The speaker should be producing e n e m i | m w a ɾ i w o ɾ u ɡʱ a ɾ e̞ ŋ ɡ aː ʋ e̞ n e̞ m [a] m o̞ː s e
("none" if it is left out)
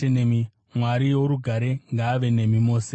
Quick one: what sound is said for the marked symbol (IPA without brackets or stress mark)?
i